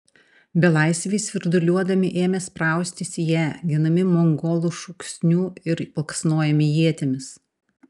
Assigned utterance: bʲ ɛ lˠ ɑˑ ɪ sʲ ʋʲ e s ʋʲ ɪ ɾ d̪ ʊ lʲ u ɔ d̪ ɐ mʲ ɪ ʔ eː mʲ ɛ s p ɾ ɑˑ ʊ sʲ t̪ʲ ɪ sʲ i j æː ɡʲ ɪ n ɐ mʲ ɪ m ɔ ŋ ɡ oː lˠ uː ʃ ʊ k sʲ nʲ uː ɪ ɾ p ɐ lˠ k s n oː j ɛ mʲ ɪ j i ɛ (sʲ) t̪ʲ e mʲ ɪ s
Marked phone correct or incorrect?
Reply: incorrect: none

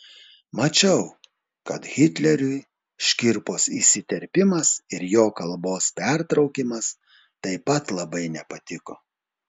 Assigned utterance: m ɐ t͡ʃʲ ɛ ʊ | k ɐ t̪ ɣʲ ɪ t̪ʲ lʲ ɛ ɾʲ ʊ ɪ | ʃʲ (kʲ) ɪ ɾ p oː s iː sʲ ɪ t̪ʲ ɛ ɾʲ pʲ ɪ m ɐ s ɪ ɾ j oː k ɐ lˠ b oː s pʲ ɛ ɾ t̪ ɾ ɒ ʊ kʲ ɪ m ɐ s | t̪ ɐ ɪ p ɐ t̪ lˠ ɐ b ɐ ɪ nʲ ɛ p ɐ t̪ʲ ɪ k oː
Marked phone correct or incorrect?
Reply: correct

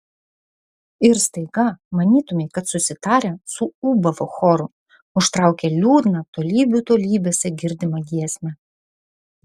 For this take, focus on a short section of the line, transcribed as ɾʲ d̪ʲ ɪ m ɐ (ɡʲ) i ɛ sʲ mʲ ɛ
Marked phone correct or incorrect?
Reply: correct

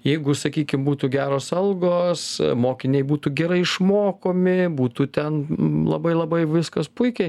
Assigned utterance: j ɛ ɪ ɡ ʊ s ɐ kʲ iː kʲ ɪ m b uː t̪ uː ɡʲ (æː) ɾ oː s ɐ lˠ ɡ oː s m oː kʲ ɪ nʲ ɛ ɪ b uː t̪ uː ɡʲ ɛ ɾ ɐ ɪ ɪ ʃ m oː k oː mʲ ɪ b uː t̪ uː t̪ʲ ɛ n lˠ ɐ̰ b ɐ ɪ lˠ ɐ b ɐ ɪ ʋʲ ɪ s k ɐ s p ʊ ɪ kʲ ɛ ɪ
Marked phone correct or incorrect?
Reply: correct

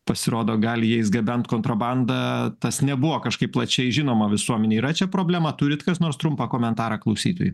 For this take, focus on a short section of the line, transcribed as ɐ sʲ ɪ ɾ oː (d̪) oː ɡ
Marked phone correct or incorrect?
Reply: correct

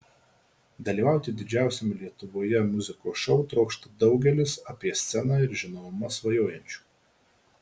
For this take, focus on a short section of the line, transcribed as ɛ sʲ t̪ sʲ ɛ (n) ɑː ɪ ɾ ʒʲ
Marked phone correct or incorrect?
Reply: correct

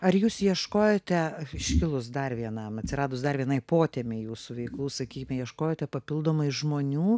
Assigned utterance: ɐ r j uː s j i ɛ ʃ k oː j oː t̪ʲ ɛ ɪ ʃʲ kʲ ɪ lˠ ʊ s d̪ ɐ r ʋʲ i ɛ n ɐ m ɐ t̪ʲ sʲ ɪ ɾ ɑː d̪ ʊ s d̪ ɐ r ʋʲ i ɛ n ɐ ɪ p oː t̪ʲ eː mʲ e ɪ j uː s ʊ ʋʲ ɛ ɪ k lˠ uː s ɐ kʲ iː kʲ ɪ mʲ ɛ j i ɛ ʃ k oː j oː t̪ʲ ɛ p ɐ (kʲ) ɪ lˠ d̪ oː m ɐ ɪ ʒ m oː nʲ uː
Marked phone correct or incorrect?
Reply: incorrect: pʲ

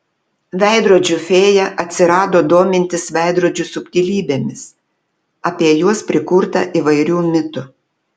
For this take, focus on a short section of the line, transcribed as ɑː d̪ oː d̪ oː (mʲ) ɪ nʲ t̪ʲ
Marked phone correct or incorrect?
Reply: correct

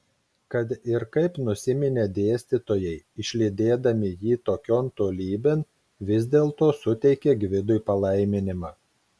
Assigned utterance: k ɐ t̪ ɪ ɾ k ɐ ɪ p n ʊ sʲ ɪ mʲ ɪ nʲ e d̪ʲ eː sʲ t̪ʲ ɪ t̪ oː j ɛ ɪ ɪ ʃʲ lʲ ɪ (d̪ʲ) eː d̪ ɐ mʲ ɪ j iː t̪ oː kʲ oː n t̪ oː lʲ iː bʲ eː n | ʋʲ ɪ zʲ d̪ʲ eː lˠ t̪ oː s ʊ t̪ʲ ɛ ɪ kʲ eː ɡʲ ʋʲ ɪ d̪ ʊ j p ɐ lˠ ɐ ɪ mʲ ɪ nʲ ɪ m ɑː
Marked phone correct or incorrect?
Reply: correct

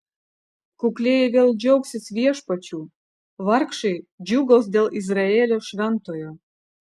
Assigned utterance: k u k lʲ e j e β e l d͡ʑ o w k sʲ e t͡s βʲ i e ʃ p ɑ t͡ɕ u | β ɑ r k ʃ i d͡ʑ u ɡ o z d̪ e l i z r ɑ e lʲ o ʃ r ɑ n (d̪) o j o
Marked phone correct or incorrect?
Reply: incorrect: t̪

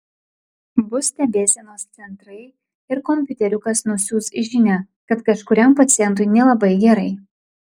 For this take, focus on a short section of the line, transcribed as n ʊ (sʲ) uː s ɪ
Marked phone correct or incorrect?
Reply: correct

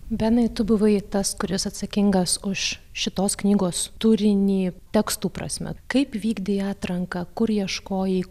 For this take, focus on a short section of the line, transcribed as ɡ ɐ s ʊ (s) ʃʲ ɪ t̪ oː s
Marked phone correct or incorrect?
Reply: incorrect: ʃ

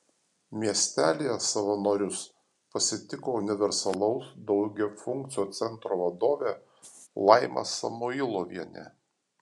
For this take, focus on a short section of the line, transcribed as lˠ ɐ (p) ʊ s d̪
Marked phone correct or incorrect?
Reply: incorrect: none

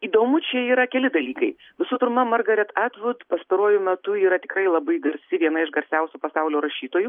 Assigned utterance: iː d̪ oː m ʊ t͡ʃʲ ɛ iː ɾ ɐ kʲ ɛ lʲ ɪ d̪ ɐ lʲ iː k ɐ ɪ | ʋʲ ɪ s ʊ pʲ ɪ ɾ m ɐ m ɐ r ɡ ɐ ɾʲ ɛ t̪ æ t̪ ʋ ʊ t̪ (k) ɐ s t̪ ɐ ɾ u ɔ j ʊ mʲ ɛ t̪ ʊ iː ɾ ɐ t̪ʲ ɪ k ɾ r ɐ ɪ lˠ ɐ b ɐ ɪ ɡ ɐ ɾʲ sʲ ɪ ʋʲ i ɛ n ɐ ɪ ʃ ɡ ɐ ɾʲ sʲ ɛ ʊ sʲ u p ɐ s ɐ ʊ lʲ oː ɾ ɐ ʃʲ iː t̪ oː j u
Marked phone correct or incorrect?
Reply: incorrect: p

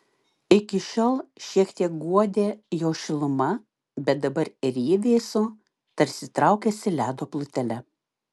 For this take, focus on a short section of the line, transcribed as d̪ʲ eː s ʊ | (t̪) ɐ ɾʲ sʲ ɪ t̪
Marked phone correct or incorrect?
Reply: correct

